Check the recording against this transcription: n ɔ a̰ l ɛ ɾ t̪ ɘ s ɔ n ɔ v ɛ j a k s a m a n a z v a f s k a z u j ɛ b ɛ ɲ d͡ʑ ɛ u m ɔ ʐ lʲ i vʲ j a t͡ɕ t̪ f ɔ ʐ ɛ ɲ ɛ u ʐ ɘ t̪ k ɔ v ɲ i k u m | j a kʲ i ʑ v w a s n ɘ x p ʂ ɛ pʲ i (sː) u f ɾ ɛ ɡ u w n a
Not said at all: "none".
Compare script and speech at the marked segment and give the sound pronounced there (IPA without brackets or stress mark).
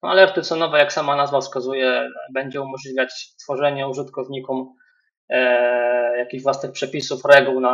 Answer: s